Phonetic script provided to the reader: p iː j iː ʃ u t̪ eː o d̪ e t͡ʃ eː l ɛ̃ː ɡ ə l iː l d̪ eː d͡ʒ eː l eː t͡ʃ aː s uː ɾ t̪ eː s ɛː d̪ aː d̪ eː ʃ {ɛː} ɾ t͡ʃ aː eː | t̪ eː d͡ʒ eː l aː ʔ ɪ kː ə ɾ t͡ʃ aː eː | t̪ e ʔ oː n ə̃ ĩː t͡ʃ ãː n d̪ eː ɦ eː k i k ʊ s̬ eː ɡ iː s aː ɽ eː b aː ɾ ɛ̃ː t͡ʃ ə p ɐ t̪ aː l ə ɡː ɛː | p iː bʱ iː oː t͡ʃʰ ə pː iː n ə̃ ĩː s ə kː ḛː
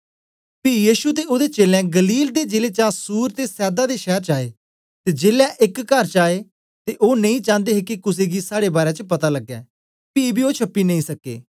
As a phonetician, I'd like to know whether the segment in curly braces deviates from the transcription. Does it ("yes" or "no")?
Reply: no